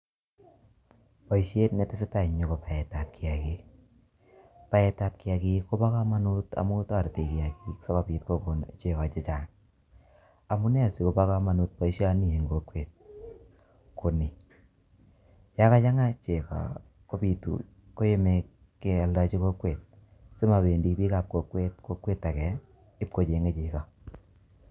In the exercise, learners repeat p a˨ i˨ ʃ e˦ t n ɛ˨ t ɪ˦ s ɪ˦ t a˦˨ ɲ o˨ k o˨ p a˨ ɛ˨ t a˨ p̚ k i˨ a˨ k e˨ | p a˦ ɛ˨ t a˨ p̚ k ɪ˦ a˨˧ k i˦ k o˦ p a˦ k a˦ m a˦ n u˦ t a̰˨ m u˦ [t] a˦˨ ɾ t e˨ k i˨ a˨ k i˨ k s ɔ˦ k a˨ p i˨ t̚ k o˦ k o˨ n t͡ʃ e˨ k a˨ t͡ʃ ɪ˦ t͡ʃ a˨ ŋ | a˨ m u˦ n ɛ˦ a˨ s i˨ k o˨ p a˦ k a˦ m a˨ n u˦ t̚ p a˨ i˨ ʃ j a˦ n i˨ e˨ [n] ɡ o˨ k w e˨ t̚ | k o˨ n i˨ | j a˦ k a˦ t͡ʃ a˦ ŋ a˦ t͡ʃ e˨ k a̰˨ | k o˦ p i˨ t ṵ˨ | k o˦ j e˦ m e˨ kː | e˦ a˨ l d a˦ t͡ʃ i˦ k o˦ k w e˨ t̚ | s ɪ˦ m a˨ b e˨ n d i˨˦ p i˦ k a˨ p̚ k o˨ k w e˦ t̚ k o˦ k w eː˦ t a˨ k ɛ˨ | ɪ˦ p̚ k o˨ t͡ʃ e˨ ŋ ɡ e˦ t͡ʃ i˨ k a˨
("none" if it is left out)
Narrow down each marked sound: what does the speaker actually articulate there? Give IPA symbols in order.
t, ŋ

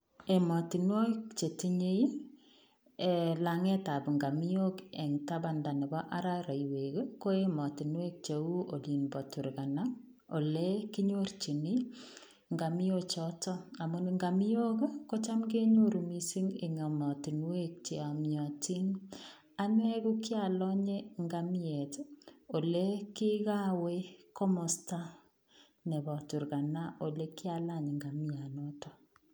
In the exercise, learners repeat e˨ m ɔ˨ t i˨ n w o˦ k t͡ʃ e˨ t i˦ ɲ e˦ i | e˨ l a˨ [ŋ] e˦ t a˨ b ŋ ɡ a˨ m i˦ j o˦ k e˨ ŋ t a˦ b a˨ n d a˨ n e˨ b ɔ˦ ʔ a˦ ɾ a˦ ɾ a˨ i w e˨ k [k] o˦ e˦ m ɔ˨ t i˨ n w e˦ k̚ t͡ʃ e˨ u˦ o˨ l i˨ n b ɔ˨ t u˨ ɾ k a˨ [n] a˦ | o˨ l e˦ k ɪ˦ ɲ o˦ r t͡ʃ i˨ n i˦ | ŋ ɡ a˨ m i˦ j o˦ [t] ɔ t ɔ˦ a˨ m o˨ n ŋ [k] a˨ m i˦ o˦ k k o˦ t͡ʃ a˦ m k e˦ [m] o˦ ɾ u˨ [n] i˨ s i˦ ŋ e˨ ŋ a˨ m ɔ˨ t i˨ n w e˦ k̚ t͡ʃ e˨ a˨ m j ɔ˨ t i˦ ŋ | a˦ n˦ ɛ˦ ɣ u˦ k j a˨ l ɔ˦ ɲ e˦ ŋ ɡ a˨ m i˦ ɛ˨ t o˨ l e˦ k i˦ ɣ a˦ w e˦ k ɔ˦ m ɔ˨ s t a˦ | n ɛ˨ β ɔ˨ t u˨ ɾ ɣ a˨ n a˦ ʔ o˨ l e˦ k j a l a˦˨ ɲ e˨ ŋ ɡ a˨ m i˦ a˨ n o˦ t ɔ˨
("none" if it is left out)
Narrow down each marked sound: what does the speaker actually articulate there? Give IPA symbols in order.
ŋ, k, n, t͡ʃ, ɡ, ɲ, m

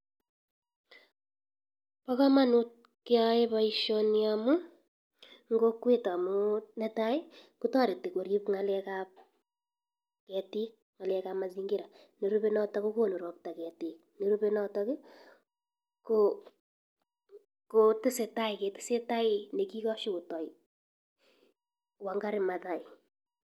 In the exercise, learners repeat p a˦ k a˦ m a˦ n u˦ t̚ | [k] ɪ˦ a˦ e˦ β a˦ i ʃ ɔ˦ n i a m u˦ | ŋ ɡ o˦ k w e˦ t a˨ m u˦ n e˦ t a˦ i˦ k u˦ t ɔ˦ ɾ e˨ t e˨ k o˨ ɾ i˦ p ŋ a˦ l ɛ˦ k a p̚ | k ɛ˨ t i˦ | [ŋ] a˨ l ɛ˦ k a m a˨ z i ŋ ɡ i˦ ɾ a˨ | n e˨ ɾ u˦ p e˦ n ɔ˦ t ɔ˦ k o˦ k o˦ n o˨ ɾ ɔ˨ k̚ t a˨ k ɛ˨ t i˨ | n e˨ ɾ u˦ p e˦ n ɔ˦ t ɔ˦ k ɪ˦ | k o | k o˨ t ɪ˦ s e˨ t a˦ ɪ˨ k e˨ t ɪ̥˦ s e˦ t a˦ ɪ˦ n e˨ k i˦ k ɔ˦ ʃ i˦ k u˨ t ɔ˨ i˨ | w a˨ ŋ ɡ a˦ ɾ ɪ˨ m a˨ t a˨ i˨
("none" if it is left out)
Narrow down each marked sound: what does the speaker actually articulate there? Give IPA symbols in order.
k, ŋ

